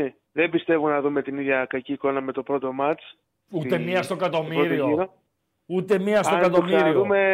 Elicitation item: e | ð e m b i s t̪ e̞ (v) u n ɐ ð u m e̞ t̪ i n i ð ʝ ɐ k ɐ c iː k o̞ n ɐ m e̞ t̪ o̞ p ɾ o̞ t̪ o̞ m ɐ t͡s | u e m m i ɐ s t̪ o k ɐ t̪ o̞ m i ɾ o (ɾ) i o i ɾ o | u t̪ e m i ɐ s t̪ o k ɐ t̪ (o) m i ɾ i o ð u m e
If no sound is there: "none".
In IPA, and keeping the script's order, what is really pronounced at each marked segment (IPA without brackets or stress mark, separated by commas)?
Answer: v, ɾ, o